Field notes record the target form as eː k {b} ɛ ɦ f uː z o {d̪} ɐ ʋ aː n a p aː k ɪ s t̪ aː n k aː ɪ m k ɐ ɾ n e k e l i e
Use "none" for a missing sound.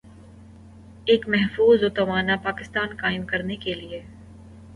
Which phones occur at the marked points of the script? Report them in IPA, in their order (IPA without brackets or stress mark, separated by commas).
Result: m, t̪